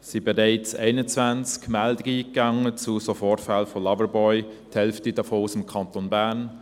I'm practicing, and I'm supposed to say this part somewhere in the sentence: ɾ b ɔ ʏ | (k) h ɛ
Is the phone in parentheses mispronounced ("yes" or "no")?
yes